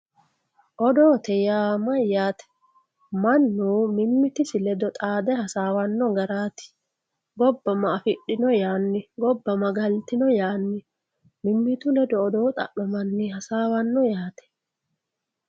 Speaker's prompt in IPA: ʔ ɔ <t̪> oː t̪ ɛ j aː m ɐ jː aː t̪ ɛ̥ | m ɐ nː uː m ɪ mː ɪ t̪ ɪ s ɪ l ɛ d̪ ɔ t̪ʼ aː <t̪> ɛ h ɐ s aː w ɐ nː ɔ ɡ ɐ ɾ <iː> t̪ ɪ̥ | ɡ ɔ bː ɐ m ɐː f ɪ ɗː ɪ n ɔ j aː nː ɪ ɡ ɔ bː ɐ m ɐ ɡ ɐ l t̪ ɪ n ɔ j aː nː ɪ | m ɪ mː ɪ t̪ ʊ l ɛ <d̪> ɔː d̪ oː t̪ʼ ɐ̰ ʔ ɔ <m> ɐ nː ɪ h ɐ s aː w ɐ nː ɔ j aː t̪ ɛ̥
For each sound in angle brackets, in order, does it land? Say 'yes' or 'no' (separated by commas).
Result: no, no, no, yes, yes